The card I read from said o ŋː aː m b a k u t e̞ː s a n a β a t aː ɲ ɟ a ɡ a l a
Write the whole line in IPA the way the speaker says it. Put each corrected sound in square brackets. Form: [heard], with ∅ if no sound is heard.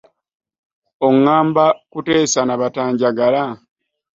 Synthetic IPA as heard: o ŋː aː m b a k u t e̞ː s a n a β a t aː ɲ ɟ a ɡ a l a